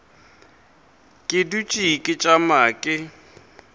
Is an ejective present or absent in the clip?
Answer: present